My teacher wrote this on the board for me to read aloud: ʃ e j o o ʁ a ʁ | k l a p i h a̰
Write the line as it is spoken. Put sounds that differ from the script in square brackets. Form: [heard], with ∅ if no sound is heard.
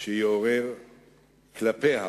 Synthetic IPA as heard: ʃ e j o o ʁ [e] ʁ | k l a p [e] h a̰